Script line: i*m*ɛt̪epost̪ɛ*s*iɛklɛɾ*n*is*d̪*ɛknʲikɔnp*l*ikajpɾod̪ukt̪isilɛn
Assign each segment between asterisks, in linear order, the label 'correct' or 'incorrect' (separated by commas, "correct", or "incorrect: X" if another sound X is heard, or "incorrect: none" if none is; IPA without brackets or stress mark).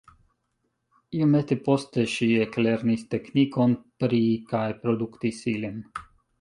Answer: correct, incorrect: ʃ, correct, incorrect: t̪, incorrect: ɾ